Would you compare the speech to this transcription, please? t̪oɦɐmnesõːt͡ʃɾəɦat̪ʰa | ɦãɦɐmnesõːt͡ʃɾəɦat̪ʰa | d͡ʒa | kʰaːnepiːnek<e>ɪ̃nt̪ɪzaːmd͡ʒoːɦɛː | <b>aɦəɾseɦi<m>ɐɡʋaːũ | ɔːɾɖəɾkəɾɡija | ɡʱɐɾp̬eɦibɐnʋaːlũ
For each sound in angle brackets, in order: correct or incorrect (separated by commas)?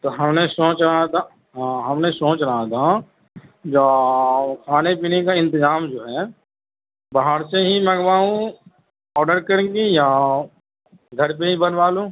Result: incorrect, correct, correct